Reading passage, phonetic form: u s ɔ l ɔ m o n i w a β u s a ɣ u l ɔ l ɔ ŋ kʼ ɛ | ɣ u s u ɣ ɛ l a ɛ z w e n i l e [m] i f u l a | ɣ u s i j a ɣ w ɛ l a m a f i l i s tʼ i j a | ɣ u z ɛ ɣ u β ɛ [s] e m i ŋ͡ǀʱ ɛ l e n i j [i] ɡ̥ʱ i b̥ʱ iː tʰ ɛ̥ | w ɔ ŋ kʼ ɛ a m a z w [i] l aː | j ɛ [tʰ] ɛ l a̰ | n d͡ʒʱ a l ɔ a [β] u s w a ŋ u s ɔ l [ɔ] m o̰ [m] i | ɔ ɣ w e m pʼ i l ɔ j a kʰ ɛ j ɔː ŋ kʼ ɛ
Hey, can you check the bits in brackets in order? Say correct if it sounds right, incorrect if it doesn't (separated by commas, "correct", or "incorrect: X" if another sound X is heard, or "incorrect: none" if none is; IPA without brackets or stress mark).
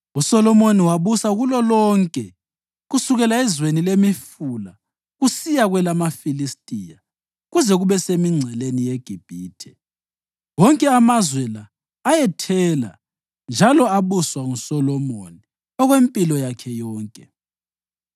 correct, correct, incorrect: e, incorrect: ɛ, correct, correct, correct, incorrect: n